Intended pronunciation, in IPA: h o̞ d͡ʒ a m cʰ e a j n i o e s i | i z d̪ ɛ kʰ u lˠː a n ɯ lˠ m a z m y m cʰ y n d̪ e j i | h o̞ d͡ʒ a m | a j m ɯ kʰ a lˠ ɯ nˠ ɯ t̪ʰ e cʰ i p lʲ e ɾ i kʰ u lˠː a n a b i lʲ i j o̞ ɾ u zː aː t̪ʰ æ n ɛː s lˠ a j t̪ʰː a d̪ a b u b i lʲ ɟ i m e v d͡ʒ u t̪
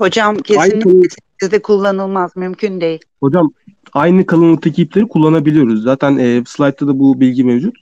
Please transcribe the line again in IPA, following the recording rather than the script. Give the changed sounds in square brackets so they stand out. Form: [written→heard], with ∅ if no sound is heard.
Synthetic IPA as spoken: h o̞ d͡ʒ a m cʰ e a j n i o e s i | i z d̪ ɛ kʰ u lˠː a n ɯ lˠ m a z m y m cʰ y n d̪ e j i | h o̞ d͡ʒ a m | a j [m→n] ɯ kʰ a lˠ ɯ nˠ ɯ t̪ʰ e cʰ i p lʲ e ɾ i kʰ u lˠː a n a b i lʲ i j o̞ ɾ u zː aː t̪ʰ æ n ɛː s lˠ a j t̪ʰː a d̪ a b u b i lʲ ɟ i m e v d͡ʒ u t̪